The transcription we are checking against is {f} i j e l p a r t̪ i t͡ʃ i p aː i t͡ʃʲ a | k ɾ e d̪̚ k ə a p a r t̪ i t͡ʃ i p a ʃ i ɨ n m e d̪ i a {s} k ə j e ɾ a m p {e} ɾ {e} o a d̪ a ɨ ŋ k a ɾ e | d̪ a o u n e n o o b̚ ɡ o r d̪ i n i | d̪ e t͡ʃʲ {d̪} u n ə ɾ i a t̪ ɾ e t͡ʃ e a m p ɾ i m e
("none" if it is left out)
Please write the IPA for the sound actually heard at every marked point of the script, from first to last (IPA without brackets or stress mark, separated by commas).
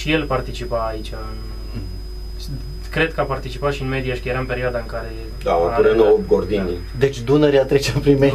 ʃ, ʃ, e, i, d̪